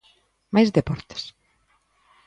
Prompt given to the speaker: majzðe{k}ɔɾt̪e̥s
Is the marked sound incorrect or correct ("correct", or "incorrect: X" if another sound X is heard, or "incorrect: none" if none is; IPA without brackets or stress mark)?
incorrect: p